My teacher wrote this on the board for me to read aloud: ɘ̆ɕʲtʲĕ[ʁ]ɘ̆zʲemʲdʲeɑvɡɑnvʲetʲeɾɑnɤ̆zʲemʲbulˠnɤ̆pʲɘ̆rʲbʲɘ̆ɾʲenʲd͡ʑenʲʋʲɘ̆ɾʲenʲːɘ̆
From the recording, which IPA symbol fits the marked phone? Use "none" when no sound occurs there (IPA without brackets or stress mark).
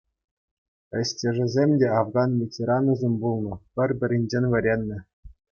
ʐ